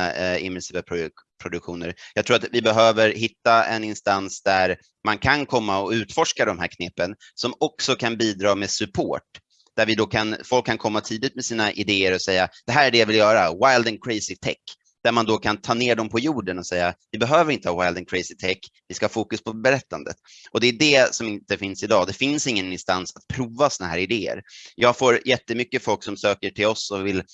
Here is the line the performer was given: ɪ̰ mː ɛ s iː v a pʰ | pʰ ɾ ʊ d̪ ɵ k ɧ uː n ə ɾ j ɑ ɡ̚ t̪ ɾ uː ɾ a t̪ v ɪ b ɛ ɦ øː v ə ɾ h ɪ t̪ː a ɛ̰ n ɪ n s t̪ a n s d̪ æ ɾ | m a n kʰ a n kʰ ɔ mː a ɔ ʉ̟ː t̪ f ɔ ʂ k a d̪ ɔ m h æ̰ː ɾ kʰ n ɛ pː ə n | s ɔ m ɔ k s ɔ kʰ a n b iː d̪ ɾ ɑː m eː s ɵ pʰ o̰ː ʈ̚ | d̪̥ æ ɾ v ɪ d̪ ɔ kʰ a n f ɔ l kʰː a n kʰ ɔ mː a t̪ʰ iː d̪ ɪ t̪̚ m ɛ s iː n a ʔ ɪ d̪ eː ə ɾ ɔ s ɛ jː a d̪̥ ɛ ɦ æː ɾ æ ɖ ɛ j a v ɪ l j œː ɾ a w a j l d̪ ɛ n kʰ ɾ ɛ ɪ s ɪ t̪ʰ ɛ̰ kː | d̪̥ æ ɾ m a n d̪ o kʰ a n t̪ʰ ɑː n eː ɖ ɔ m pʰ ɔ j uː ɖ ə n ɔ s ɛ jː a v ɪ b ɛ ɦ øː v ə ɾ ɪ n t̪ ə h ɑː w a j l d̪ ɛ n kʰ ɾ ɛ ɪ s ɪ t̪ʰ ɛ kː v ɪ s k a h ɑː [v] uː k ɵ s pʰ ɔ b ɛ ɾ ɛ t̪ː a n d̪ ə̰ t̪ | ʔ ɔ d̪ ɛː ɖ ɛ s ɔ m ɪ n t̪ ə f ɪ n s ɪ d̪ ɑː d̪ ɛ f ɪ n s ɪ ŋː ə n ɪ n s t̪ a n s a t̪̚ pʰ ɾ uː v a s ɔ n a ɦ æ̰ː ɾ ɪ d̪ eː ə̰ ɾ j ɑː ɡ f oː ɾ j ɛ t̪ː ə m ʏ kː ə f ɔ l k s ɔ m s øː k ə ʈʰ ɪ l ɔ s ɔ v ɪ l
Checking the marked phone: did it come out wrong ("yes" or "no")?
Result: yes